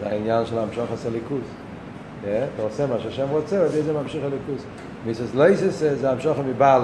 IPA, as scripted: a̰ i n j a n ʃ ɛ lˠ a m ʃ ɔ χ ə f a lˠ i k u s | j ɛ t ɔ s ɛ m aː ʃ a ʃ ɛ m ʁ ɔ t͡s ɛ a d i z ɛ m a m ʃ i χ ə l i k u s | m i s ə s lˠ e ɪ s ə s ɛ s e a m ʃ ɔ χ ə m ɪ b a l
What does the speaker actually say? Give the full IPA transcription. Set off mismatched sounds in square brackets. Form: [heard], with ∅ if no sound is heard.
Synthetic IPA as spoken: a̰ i n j a n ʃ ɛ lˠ a m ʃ ɔ χ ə [s] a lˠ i k u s | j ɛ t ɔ s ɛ m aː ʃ a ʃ ɛ m ʁ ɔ t͡s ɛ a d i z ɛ m a m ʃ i χ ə l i k u s | m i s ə s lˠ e ɪ s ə s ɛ [z] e a m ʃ ɔ χ ə m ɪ b a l